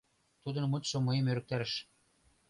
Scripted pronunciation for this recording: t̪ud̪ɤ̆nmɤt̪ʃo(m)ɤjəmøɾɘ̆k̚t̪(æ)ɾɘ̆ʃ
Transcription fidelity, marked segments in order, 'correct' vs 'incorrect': correct, correct

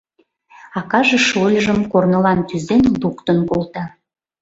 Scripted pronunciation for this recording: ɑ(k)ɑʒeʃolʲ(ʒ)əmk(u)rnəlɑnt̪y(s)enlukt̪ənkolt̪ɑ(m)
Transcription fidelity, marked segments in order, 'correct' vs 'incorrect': correct, correct, incorrect, incorrect, incorrect

